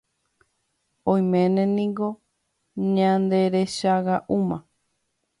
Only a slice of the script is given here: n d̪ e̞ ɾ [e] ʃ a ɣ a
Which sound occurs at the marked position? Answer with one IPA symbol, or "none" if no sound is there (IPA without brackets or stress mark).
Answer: e